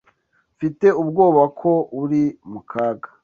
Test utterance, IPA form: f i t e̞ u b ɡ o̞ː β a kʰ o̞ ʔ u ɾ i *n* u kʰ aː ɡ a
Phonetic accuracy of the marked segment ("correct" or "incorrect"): incorrect